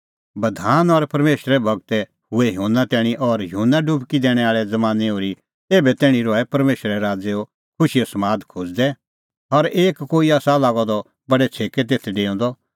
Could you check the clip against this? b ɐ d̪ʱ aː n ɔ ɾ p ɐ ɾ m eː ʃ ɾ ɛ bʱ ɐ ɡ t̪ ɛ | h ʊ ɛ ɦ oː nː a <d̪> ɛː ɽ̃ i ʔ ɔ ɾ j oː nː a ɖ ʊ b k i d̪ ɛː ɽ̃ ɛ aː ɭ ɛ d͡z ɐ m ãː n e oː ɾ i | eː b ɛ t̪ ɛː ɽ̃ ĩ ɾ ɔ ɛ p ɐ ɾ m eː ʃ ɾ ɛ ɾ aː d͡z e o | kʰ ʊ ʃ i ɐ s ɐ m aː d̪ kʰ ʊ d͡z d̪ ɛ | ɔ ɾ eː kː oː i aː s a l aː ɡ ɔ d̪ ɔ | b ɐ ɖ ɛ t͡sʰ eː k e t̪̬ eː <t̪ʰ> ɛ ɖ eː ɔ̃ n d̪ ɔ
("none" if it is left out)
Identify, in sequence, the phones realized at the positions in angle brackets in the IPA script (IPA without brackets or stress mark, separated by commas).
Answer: t̪, t̪ʰ